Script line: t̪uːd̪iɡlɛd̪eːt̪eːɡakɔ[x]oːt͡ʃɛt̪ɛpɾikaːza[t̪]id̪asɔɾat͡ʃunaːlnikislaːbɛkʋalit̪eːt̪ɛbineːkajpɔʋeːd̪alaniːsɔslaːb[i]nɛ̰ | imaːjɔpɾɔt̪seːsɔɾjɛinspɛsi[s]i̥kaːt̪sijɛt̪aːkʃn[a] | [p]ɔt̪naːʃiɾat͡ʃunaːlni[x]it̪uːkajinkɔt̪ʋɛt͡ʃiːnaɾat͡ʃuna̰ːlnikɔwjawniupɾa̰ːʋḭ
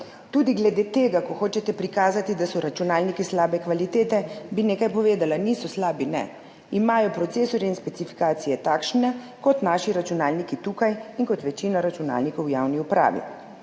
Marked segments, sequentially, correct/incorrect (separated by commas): correct, correct, correct, incorrect, incorrect, incorrect, incorrect